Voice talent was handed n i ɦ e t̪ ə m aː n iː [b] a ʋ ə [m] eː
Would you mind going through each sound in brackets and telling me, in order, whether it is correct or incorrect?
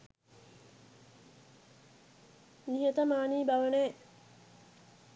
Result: correct, incorrect

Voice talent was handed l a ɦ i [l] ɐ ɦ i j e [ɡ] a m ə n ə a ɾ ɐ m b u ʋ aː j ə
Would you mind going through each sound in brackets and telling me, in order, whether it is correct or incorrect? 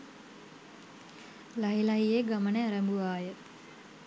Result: correct, correct

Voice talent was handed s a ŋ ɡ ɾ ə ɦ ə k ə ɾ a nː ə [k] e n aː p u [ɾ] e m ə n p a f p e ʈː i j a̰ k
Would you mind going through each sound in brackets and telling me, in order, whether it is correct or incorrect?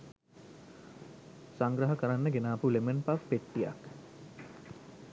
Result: incorrect, incorrect

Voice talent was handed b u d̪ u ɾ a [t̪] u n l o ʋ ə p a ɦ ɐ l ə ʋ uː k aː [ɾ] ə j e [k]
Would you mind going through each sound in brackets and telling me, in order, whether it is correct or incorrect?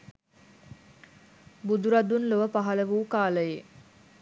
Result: incorrect, incorrect, incorrect

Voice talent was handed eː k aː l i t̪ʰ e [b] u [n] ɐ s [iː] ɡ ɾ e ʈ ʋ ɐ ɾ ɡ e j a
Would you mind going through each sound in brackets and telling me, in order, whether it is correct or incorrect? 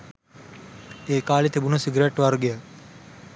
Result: correct, correct, incorrect

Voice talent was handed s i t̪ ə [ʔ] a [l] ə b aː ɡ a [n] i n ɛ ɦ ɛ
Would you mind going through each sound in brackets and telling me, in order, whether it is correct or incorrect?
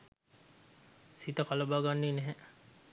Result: incorrect, correct, incorrect

